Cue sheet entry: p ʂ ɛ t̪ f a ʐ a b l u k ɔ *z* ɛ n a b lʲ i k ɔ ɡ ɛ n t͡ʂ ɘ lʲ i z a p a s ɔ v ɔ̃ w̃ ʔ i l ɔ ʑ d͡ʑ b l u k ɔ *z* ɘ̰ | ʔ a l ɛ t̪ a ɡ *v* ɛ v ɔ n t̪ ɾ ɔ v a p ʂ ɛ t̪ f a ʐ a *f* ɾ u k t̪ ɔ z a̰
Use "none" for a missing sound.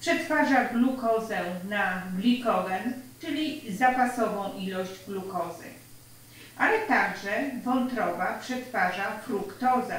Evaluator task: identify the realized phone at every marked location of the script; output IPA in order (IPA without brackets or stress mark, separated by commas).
z, z, ʐ, f